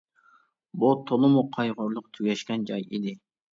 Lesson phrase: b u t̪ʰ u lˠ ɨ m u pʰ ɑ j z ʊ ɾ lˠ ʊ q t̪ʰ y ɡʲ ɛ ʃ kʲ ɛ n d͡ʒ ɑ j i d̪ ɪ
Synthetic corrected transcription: b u t̪ʰ o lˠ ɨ m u qʰ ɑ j ʁ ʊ ɾ lˠ ʊ q t̪ʰ y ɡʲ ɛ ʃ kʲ ɛ n d͡ʒ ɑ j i d̪ ɪ